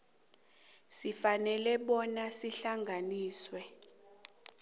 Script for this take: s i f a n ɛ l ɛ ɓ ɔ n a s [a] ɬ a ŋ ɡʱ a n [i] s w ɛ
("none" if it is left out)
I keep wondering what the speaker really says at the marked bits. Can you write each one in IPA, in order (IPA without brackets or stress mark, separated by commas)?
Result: i, iː